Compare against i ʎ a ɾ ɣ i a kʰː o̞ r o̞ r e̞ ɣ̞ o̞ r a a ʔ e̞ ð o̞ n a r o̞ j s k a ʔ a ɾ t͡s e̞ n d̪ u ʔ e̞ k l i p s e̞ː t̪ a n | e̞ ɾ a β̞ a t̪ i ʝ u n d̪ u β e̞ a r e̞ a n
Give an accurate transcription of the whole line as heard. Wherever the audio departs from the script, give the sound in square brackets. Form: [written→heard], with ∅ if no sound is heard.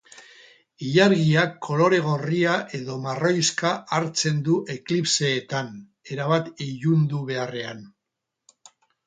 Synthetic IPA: i ʎ a ɾ ɣ i a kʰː o̞ [r→l] o̞ [r→ɾ] e̞ ɣ̞ o̞ r [a→i] a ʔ e̞ ð o̞ [n→m] a r o̞ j s k a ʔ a ɾ t͡s e̞ n d̪ u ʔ e̞ k l i p s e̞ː t̪ a n | e̞ ɾ a β̞ a t̪ i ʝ u n d̪ u β e̞ a r e̞ a n